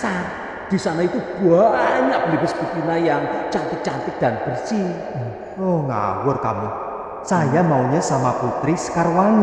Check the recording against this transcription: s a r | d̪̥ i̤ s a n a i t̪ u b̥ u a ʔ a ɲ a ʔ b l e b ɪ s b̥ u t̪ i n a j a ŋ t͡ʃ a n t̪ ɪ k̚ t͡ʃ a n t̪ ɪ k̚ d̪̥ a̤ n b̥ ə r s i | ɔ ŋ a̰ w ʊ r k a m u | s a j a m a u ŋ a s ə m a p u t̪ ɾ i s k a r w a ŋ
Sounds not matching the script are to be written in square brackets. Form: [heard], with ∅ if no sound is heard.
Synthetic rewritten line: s a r | d̪̥ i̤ s a n a i t̪ u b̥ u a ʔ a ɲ a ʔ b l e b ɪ s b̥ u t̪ i n a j a ŋ t͡ʃ a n t̪ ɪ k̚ t͡ʃ a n t̪ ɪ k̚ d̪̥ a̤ n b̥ ə r s i | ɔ ŋ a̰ w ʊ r k a m u | s a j a m a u [ɲ] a s [a] m a p u t̪ ɾ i s k a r w a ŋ